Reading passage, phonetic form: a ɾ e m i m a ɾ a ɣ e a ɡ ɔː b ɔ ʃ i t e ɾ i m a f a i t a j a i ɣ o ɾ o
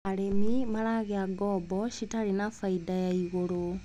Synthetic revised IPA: a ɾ e m i m a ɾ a ɣ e a ɡ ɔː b ɔ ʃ i t a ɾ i n a f a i d a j a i ɣ o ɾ o